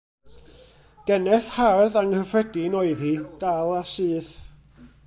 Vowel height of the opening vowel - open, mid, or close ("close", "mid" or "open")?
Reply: mid